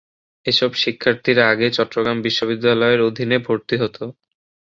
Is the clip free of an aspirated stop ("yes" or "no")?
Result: no